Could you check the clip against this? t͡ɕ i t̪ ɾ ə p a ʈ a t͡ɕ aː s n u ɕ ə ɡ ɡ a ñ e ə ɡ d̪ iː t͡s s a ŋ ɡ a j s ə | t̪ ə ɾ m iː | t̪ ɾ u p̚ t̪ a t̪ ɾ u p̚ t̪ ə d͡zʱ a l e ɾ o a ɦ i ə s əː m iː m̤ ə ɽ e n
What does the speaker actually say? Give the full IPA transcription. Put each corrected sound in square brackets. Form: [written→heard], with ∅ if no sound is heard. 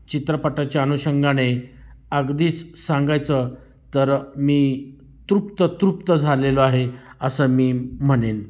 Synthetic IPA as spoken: t͡ɕ i t̪ ɾ ə p a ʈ a t͡ɕ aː [s→∅] n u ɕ ə [ɡ→ŋ] ɡ a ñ e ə ɡ d̪ iː t͡s s a ŋ ɡ a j [s→t͡s] ə | t̪ ə ɾ m iː | t̪ ɾ u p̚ t̪ [a→ə] t̪ ɾ u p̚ t̪ ə d͡zʱ a l e [ɾ→l] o a ɦ [i→e] ə s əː m iː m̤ ə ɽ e n